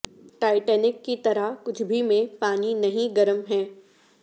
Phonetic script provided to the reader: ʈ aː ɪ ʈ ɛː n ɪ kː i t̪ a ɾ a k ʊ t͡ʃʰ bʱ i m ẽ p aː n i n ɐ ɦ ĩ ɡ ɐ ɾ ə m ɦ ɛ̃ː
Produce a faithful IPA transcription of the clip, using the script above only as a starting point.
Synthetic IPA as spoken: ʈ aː ɪ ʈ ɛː n ɪ kː i t̪ ɐ ɾ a k ʊ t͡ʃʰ bʱ i m ẽ p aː n i n ɐ ɦ ĩ ɡ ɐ ɾ ə m ɦ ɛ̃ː